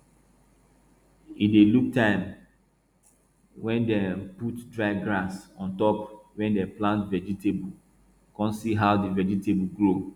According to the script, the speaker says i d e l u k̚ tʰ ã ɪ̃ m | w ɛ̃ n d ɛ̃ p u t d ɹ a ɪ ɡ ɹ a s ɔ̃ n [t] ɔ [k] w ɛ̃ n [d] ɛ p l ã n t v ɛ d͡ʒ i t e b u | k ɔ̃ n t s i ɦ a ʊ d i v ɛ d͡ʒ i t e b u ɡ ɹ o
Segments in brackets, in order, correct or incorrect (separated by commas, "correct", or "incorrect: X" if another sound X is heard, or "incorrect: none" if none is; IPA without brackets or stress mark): correct, incorrect: p, correct